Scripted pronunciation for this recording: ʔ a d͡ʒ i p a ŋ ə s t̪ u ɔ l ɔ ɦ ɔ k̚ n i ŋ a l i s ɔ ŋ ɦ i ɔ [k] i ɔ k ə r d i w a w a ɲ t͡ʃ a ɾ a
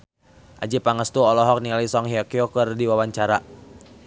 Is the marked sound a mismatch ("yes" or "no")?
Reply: no